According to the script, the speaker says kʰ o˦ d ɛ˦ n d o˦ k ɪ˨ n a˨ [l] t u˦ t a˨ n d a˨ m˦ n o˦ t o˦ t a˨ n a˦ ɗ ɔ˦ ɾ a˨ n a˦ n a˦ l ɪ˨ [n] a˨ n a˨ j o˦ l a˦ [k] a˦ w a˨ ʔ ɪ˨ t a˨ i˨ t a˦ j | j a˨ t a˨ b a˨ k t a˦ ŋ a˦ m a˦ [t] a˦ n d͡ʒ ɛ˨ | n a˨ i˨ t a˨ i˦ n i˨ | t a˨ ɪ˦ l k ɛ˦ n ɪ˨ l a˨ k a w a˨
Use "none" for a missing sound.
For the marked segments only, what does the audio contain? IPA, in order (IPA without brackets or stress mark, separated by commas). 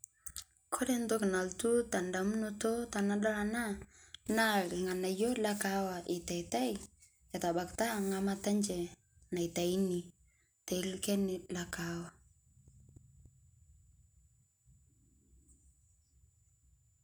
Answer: l, ŋ, k, t